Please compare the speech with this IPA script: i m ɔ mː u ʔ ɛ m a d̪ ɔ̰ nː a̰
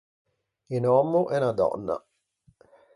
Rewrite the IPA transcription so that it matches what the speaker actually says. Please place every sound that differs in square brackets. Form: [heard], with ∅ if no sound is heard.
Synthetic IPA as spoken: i [n] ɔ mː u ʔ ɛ [n] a d̪ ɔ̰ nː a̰